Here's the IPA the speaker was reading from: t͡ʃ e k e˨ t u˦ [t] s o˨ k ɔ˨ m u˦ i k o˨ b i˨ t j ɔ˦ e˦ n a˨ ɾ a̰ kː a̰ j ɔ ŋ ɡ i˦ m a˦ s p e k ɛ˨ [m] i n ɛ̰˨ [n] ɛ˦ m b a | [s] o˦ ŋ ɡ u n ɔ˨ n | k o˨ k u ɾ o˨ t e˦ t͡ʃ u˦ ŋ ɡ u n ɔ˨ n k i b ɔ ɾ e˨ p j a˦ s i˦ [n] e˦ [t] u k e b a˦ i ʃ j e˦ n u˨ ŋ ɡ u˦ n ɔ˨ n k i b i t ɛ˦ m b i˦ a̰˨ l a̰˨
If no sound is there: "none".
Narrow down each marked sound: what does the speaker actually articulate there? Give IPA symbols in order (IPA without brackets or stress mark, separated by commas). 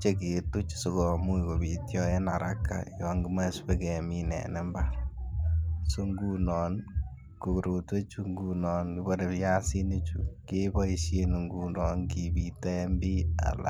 t͡ʃ, m, n, s, n, t͡ʃ